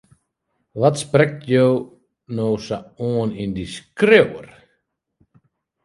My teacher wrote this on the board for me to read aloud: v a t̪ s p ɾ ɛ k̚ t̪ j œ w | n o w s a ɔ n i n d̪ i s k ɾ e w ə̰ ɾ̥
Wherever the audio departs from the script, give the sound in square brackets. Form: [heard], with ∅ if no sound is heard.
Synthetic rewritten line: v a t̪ s p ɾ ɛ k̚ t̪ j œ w | n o w s a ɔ n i n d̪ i s k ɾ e w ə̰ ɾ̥